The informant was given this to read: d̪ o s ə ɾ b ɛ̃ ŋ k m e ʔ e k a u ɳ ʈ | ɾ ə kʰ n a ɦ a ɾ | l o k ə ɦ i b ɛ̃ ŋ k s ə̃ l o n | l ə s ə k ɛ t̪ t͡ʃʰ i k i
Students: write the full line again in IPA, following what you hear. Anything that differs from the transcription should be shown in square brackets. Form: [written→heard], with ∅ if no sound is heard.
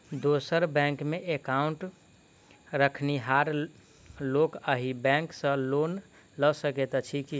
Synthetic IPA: d̪ o s ə ɾ b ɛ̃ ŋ k m e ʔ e k a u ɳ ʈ | ɾ ə kʰ n [a→i] ɦ a ɾ | l o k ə ɦ i b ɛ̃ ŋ k s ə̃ l o n | l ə s ə k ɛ t̪ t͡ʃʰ i k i